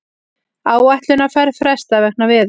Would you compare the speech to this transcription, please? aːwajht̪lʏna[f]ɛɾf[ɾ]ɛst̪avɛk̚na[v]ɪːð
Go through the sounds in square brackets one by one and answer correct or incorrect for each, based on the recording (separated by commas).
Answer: correct, correct, correct